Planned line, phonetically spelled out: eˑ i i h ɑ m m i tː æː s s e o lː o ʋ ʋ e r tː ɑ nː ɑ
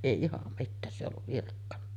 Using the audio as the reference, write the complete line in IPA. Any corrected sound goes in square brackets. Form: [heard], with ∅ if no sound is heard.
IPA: eˑ i i h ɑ m m i tː æː s s e o lː [u] ʋ ʋ [i] r [kː] ɑ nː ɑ